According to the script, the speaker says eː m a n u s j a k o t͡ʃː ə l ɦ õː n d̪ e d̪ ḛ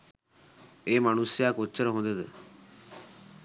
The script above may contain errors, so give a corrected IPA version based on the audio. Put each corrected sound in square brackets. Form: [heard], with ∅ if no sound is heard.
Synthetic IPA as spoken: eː m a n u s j a k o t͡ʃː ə [ɾ] ɦ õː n d̪ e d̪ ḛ